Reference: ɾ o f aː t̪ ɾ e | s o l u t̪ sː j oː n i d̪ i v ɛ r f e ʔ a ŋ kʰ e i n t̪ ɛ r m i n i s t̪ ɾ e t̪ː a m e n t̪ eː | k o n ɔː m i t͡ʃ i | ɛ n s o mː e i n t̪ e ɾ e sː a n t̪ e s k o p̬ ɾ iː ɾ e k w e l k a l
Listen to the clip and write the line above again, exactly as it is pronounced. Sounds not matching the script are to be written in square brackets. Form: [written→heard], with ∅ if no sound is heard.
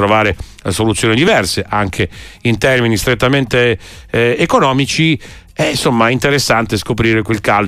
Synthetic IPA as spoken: ɾ o [f→v] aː [t̪→∅] ɾ e | s o l u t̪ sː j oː n i d̪ i v ɛ r [f→s] e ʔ a ŋ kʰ e i n t̪ ɛ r m i n i s t̪ ɾ e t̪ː a m e n t̪ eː | k o n ɔː m i t͡ʃ i | ɛ n s o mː [e→a] i n t̪ e ɾ e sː a n t̪ e s k o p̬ ɾ iː ɾ e k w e l k a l